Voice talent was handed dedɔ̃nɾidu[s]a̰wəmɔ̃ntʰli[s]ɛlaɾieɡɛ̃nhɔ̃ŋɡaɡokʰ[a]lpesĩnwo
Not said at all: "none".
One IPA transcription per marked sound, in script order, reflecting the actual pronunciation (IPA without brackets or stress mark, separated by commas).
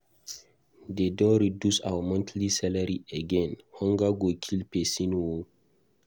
s, s, i